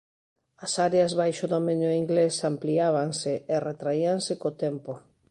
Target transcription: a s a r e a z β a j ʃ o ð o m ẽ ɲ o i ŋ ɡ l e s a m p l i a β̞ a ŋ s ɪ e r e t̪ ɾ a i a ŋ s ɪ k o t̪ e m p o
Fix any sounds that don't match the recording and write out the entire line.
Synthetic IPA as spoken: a s a ɾ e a z β a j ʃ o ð o m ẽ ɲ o i ŋ ɡ l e s a m p l i a β̞ a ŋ s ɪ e r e t̪ ɾ a i a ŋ s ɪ k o t̪ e m p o